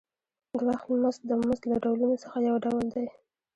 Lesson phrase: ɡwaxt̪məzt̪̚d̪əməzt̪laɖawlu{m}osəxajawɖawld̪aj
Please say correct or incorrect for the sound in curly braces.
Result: incorrect